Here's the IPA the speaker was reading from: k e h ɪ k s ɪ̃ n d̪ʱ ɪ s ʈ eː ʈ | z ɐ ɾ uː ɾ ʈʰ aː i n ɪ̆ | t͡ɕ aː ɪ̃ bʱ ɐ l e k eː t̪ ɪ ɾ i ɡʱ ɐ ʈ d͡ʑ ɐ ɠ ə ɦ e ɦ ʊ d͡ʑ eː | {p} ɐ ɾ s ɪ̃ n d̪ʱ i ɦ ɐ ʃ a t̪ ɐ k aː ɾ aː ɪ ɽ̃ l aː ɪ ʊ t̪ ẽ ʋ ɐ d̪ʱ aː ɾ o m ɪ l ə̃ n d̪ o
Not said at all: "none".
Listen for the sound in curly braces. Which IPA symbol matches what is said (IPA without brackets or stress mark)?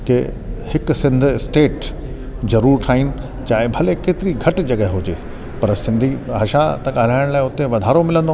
p